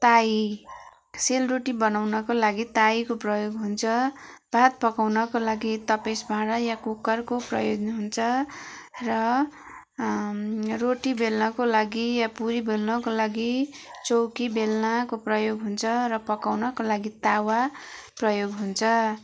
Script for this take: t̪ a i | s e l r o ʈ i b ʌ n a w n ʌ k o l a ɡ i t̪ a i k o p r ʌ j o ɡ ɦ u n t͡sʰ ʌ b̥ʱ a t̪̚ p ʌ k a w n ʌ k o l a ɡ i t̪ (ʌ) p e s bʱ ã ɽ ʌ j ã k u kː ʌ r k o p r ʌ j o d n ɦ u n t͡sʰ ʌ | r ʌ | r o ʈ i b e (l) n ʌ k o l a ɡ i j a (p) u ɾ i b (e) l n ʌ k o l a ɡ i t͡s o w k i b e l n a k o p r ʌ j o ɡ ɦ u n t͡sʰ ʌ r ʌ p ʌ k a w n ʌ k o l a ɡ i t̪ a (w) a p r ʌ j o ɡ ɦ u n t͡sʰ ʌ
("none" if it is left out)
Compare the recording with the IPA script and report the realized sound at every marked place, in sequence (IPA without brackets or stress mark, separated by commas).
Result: ʌ, l, p, e, w